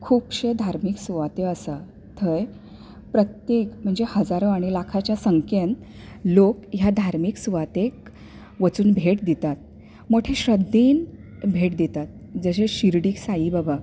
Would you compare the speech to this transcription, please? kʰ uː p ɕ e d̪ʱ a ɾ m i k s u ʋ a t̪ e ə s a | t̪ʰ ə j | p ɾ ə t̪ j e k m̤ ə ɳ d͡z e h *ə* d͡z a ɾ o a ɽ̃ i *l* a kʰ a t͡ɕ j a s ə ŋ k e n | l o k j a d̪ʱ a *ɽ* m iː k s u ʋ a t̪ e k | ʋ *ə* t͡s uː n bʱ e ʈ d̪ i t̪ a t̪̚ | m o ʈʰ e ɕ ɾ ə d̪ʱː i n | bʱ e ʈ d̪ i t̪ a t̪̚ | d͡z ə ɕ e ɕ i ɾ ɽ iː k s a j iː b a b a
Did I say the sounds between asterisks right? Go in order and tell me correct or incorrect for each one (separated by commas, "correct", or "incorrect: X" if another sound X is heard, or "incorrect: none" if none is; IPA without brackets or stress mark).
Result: correct, correct, incorrect: ɾ, correct